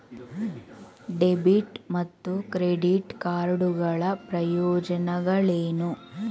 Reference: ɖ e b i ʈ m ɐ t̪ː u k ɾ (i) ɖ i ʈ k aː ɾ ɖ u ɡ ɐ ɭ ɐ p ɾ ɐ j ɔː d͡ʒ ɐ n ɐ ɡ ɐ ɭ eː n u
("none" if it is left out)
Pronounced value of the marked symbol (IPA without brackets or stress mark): e